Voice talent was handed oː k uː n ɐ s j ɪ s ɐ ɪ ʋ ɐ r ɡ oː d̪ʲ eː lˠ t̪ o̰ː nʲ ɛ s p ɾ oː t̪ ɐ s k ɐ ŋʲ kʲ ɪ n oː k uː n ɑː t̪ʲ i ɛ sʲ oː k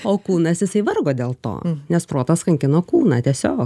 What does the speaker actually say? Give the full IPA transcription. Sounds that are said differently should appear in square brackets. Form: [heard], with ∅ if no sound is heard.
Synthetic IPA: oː k uː n ɐ s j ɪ s ɐ ɪ ʋ ɐ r ɡ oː d̪ʲ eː lˠ t̪ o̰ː nʲ ɛ s p ɾ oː t̪ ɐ s k ɐ ŋʲ kʲ ɪ n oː k uː n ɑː t̪ʲ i ɛ sʲ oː k

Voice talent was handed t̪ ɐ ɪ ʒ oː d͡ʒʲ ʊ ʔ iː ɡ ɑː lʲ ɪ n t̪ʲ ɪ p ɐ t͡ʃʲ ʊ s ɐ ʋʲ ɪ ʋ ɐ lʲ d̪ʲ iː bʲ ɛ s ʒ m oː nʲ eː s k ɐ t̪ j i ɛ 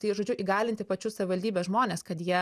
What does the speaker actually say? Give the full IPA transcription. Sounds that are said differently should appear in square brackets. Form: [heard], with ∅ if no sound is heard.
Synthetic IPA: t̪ ɐ ɪ ʒ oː d͡ʒʲ ʊ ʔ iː ɡ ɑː lʲ ɪ n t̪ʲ ɪ p ɐ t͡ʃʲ ʊ s ɐ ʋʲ ɪ ʋ ɐ lʲ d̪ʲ iː bʲ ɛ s ʒ m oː nʲ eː s k ɐ t̪ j i ɛ

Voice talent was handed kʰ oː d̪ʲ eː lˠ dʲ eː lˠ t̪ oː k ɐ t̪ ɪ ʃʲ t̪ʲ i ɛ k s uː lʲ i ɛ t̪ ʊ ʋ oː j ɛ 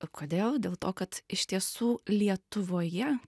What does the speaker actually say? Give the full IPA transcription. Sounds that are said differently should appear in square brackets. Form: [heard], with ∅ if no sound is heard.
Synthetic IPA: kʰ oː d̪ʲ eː lˠ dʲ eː lˠ t̪ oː k ɐ t̪ ɪ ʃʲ t̪ʲ i ɛ [∅] s uː lʲ i ɛ t̪ ʊ ʋ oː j ɛ

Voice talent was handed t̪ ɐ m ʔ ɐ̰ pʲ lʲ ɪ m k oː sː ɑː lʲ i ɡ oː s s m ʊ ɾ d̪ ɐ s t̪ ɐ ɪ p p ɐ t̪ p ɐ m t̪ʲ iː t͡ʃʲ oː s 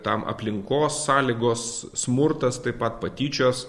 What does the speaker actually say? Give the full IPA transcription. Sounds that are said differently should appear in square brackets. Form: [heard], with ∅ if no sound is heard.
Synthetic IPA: t̪ ɐ m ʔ ɐ̰ pʲ lʲ ɪ [ŋ] k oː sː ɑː lʲ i ɡ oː s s m ʊ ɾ [t̪] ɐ s t̪ ɐ ɪ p p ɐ t̪ p ɐ [∅] t̪ʲ iː t͡ʃʲ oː s

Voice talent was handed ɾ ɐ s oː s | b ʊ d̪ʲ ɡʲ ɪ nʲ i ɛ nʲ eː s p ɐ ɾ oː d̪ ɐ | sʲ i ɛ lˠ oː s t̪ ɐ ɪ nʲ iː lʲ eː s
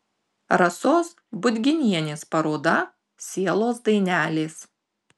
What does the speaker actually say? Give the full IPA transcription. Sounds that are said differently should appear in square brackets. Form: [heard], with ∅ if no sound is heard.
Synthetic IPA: ɾ ɐ s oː s | b ʊ d̪ʲ ɡʲ ɪ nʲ i ɛ nʲ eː s p ɐ ɾ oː d̪ ɐ | sʲ i ɛ lˠ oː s [d̪] ɐ ɪ nʲ [æː] lʲ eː s

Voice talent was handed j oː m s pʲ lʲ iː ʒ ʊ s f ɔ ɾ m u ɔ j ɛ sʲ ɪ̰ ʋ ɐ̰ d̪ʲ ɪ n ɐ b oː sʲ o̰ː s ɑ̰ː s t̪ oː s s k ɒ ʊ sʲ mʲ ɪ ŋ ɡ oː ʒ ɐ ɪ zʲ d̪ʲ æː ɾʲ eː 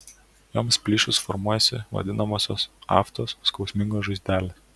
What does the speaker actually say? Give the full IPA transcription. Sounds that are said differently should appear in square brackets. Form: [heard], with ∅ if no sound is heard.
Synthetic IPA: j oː m s pʲ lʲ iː [ʃ] ʊ s f ɔ ɾ m u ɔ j ɛ sʲ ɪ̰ ʋ ɐ̰ d̪ʲ ɪ n ɐ [m] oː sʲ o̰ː s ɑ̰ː [f] t̪ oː s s k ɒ ʊ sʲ mʲ ɪ ŋ ɡ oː ʒ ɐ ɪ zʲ d̪ʲ æː [lʲ] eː

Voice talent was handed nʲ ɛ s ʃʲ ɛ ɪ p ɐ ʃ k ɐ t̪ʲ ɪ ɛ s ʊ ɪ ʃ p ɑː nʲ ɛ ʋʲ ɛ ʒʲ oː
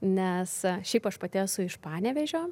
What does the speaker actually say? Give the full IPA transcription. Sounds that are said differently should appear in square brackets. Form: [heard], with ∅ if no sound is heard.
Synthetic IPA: nʲ ɛ s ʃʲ ɛ ɪ p ɐ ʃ [p] ɐ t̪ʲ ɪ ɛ s ʊ ɪ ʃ p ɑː nʲ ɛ ʋʲ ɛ ʒʲ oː

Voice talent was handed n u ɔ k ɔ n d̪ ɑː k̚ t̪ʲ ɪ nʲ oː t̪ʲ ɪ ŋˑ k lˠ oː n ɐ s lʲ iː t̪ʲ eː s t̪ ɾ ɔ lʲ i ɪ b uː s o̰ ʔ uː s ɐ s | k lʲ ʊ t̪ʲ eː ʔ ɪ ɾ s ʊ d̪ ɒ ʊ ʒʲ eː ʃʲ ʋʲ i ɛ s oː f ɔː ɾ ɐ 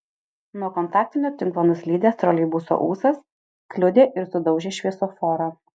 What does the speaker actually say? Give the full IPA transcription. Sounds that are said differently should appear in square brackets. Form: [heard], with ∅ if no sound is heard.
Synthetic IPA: n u ɔ k ɔ n [t̪] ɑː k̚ t̪ʲ ɪ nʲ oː t̪ʲ ɪ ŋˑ k lˠ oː n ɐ s lʲ iː [d̪ʲ] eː s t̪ ɾ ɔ lʲ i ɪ b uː s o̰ ʔ uː s ɐ s | k lʲ ʊ [d̪ʲ] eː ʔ ɪ ɾ s ʊ d̪ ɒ ʊ ʒʲ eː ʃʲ ʋʲ i ɛ s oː f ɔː ɾ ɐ

